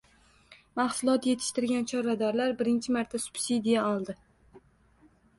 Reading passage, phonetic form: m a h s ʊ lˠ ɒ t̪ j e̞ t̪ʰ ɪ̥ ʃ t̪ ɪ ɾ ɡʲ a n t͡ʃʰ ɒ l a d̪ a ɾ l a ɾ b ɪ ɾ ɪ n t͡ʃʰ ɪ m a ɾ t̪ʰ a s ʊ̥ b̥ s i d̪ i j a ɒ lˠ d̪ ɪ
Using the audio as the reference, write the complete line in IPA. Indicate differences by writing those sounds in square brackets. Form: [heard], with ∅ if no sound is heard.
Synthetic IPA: m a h s ʊ lˠ ɒ t̪ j e̞ t̪ʰ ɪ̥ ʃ t̪ ɪ ɾ ɡʲ a n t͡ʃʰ ɒ [ɾ] a d̪ a ɾ l a ɾ b ɪ ɾ ɪ n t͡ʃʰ ɪ m a ɾ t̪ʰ a s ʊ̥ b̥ s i d̪ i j a ɒ lˠ d̪ ɪ